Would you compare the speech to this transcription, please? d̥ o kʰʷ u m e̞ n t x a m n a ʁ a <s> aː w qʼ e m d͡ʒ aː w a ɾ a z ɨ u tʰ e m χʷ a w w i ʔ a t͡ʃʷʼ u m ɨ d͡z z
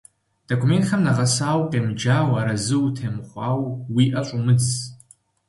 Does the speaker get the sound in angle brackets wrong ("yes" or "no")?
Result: no